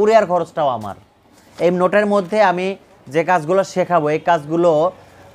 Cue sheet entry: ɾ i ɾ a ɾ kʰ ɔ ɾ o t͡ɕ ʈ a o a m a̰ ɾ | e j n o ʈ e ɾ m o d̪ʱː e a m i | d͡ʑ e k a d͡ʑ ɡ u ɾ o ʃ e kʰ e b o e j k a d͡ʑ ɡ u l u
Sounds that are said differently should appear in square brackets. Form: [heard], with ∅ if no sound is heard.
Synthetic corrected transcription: ɾ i [∅] a ɾ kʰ ɔ ɾ o t͡ɕ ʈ a o a m a̰ ɾ | e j n o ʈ e ɾ m o d̪ʱː e a m i | d͡ʑ e k a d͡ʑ ɡ u [l] o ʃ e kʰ [a] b o e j k a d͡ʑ ɡ u l [o]